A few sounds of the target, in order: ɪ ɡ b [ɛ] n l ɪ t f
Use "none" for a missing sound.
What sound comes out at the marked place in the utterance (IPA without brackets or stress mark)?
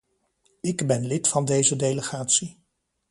ɛ